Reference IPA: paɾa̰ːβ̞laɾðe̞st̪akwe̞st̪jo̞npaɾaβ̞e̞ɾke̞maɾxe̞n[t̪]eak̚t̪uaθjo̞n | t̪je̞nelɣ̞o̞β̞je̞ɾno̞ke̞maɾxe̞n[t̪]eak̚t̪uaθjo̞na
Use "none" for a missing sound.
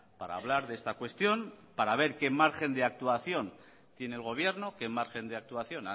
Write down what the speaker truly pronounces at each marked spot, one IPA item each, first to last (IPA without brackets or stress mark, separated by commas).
d̪, d̪